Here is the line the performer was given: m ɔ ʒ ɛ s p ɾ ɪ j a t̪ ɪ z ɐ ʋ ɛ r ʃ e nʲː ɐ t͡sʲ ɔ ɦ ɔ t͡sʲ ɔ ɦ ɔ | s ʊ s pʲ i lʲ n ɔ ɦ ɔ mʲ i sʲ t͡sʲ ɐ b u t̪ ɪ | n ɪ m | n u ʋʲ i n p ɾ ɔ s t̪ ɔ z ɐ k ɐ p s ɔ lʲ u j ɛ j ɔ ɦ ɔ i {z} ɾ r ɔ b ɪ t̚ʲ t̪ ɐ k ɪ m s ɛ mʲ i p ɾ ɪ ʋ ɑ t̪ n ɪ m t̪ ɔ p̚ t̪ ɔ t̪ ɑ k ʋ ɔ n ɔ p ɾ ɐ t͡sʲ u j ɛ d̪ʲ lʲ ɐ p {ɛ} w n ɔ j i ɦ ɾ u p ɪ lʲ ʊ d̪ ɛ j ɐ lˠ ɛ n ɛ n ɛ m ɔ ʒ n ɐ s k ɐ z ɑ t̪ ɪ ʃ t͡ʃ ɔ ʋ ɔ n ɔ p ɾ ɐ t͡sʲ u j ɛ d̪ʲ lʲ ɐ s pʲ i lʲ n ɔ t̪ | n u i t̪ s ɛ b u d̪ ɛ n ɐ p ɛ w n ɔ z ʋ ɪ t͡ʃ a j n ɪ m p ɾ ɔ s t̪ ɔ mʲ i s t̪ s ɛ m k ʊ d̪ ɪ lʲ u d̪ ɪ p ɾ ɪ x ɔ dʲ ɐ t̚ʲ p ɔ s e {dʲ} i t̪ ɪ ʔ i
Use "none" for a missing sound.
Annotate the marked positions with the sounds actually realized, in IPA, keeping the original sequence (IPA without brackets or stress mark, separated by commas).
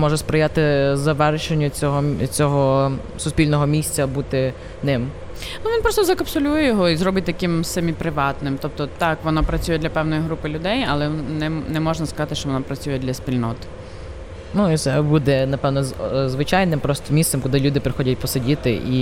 z, ɛ, dʲ